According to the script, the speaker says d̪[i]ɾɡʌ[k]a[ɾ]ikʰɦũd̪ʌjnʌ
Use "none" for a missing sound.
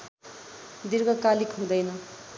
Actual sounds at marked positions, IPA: i, k, l

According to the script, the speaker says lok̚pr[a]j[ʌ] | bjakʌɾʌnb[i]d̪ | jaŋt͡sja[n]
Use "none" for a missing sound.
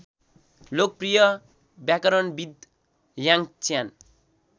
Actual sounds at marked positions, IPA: i, ʌ, i, n

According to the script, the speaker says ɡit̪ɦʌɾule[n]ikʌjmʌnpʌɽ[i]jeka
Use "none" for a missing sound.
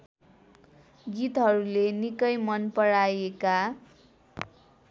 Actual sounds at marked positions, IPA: n, a

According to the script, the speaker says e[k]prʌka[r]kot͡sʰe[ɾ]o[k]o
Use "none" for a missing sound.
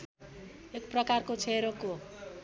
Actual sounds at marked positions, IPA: k, r, ɾ, k

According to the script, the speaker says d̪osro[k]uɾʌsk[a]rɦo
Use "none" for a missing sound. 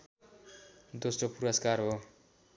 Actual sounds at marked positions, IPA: p, a

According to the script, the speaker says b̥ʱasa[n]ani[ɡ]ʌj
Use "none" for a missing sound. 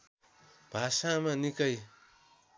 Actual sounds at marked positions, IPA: m, k

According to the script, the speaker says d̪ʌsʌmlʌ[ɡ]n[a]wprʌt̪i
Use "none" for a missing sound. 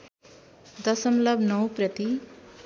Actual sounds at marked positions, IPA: b, ʌ

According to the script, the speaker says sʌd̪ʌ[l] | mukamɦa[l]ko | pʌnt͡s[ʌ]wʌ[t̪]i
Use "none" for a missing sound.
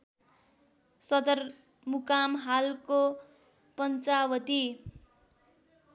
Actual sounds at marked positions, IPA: r, l, a, t̪

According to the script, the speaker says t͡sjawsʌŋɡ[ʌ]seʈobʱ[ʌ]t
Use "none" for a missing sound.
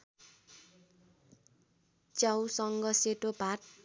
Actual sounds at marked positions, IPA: ʌ, a

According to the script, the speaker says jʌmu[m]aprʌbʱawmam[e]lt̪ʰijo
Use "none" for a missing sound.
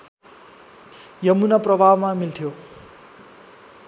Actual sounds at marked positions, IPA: n, i

